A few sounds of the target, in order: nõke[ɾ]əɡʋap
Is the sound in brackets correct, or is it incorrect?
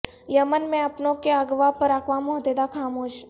incorrect: none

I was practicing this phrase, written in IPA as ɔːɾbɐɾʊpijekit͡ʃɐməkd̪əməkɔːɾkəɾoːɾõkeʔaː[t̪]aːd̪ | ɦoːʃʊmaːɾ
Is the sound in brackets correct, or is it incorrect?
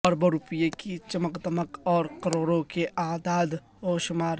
incorrect: d̪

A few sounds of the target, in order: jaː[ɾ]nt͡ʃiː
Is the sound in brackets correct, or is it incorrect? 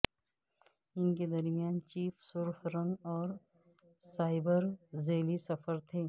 incorrect: none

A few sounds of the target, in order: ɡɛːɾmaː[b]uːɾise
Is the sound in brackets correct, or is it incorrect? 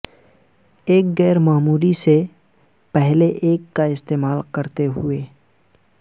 incorrect: m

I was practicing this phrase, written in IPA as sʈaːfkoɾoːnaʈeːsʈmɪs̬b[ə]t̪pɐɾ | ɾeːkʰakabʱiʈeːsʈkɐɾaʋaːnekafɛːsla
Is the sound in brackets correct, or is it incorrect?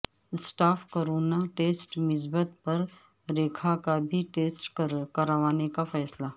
correct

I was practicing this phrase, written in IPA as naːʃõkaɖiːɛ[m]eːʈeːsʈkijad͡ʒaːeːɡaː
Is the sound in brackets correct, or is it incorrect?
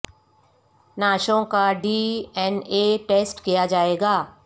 incorrect: n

